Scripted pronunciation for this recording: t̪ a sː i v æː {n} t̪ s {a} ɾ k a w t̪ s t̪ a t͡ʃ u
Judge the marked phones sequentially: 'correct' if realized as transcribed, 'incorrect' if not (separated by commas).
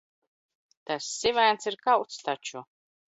correct, incorrect